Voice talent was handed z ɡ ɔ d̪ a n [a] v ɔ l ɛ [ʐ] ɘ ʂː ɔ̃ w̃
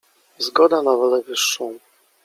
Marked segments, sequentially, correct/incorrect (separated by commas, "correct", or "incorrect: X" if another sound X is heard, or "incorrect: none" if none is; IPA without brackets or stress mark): correct, incorrect: v